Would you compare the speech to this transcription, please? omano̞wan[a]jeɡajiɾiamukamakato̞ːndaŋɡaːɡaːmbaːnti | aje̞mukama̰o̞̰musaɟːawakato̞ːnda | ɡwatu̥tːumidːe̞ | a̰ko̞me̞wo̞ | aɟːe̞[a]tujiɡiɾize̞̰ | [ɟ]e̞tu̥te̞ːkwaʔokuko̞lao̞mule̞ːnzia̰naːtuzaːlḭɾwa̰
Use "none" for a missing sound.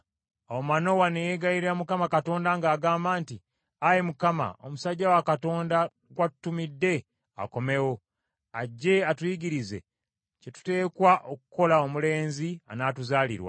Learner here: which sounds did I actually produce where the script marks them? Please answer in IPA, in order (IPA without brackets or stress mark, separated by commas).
e, a, c